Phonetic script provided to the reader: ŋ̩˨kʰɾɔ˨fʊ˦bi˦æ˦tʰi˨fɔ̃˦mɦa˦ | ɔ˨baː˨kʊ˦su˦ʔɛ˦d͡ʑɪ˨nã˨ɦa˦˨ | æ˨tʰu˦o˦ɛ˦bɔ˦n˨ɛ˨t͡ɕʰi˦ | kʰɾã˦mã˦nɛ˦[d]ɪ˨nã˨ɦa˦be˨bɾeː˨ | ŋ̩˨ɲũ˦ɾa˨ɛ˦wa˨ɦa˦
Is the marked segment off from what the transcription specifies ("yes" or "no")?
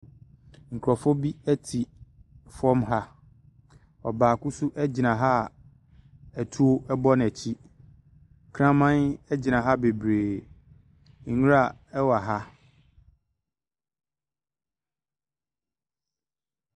yes